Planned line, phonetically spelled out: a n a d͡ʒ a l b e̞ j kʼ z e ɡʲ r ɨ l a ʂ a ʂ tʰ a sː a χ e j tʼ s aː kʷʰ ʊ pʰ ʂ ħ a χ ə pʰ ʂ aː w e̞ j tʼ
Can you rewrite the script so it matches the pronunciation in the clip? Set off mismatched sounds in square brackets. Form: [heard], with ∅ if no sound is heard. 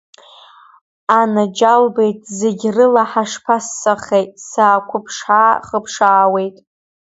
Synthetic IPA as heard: a n a d͡ʒ a l b e̞ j [tʼ] z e ɡʲ r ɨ l a [ħ] a ʂ [pʰ] a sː a χ e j tʼ s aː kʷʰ ʊ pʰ ʂ ħ a χ ə pʰ ʂ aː w e̞ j tʼ